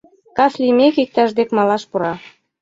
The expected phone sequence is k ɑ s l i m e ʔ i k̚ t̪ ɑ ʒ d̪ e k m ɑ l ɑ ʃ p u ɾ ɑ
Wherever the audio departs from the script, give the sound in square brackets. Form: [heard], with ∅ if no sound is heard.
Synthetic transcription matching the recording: k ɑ s l i m e [k] i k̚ t̪ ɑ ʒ d̪ e k m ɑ l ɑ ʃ p u ɾ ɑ